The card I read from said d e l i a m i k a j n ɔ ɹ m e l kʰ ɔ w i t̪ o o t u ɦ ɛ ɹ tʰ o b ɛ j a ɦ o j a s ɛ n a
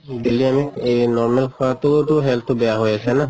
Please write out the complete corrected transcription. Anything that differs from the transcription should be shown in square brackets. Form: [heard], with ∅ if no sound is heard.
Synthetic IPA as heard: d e l i a m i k [e] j n ɔ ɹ m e l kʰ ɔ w [a] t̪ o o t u ɦ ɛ [l] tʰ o b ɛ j a ɦ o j a s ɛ n a